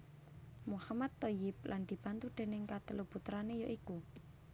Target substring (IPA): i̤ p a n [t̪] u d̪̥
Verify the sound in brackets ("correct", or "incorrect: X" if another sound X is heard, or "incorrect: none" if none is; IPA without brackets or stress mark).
correct